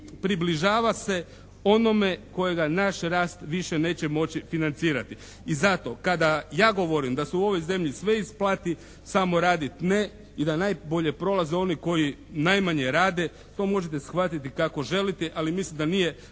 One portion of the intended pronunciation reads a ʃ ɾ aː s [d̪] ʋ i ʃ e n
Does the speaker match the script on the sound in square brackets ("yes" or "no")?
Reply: no